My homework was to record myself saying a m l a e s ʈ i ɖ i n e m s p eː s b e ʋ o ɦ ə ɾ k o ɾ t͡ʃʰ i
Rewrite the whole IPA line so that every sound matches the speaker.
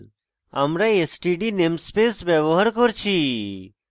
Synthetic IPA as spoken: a m ɾ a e s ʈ i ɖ i n e m s p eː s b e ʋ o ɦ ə ɾ k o ɾ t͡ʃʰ i

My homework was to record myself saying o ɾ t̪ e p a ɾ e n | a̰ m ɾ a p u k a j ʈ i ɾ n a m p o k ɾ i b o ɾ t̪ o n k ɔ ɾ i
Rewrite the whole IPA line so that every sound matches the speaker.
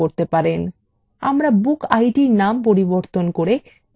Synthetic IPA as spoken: o ɾ t̪ e p a ɾ e n | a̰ m ɾ a b u k a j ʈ i ɾ n a m p o ɾ i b o ɾ t̪ o n k o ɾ e

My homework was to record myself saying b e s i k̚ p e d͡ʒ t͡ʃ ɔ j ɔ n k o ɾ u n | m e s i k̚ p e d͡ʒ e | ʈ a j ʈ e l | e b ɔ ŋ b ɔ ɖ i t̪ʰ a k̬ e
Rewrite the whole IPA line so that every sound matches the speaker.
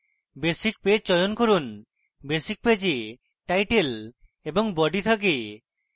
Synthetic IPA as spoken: b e s i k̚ p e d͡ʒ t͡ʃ ɔ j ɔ n k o ɾ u n | b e s i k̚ p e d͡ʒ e | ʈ a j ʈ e l | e b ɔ ŋ b ɔ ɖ i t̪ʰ a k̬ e

